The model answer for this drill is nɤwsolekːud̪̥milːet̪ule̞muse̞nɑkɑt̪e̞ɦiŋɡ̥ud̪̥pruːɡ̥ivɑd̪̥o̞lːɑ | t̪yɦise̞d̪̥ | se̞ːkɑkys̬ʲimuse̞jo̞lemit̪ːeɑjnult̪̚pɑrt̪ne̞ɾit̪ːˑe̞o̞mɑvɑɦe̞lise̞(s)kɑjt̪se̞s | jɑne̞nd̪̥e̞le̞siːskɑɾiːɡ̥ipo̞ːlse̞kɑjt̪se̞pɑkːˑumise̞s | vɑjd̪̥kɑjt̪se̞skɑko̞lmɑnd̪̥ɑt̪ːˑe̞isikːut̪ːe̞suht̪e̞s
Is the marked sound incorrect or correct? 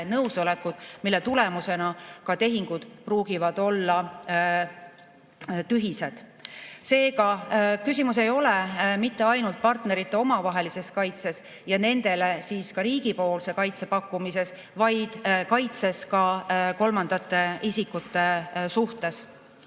correct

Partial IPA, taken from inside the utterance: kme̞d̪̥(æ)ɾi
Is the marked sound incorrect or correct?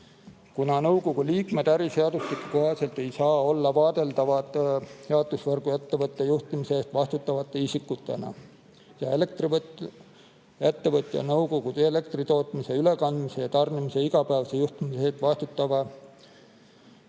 correct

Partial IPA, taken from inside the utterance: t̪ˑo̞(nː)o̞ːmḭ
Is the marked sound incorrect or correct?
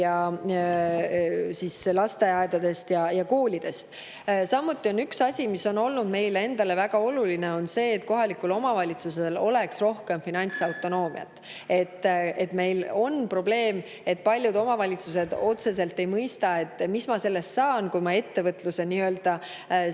incorrect: n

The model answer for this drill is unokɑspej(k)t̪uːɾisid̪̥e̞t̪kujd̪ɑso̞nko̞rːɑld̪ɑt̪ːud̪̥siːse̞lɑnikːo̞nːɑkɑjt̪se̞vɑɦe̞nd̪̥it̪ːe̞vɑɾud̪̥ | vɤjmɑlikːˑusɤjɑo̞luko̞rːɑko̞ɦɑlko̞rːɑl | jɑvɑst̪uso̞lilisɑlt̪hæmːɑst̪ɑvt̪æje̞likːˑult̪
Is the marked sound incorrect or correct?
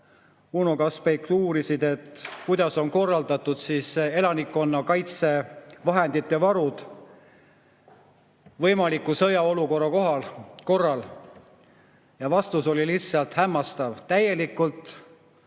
correct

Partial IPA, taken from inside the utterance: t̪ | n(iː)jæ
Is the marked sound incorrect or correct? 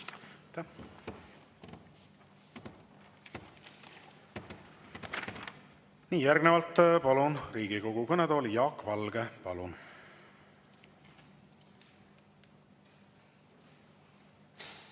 correct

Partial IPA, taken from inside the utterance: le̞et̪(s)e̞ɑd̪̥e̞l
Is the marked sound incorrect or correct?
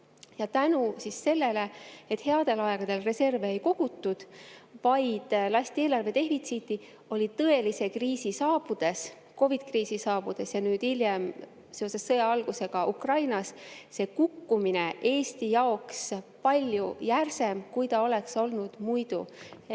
incorrect: h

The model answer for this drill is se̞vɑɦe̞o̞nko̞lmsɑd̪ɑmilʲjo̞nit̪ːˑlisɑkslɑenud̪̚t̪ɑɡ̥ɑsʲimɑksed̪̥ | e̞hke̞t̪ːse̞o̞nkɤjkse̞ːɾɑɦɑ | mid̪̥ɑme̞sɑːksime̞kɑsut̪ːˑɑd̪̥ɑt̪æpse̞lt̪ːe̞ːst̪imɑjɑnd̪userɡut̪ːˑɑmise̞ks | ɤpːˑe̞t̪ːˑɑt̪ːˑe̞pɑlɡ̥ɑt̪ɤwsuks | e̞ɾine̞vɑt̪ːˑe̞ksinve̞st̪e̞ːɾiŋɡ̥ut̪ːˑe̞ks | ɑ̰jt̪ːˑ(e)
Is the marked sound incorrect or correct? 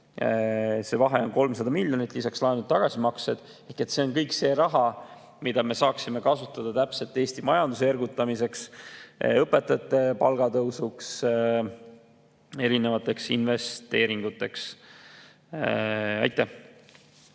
incorrect: æ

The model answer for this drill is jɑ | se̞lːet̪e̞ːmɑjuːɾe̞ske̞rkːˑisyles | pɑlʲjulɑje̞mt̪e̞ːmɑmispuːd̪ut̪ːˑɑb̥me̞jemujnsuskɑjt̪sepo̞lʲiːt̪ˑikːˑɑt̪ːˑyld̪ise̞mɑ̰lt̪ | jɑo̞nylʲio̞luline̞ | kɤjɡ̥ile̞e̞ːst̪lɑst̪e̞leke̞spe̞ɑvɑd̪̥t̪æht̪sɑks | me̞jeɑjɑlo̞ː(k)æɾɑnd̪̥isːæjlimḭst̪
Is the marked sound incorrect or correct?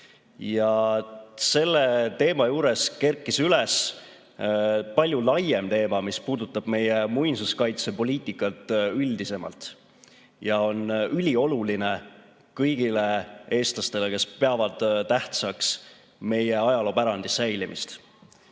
incorrect: p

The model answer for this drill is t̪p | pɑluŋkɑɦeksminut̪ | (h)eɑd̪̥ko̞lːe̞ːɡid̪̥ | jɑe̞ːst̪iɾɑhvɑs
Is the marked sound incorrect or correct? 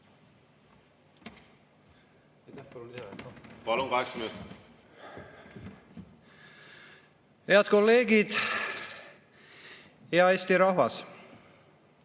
correct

